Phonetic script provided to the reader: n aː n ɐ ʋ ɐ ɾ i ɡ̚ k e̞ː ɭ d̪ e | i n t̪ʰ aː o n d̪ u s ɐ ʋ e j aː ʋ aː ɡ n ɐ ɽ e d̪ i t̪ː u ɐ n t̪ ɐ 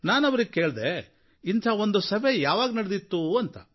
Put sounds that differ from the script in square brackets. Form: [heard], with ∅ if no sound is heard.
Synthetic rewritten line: n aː n ɐ ʋ ɐ ɾ i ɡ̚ k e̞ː ɭ d̪ e | i n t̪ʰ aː o n d̪ u s ɐ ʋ e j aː ʋ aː ɡ n ɐ ɽ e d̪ i t̪ː u ɐ n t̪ ɐ